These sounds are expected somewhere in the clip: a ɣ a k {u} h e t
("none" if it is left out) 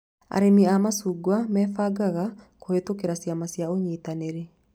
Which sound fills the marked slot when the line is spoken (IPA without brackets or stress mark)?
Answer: o